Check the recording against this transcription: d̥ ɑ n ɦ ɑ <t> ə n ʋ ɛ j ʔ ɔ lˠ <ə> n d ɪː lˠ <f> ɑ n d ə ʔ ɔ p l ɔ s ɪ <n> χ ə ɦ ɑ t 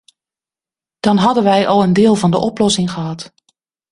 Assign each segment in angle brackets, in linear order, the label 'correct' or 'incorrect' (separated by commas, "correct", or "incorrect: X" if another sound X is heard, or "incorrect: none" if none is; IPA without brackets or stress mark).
incorrect: d, correct, incorrect: v, incorrect: ŋ